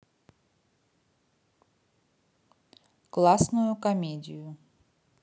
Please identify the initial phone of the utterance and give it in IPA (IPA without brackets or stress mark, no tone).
k